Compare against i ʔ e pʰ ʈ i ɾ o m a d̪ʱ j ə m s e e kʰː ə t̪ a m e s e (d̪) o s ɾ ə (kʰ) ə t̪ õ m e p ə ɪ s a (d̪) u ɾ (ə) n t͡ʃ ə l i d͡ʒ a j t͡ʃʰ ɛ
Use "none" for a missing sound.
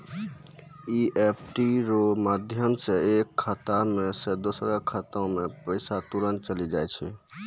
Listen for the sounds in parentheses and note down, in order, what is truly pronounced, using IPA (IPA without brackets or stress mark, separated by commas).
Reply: d̪, kʰ, t̪, ə